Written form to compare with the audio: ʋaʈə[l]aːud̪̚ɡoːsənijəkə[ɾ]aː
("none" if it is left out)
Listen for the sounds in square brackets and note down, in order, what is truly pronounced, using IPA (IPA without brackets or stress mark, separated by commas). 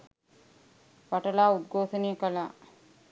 l, l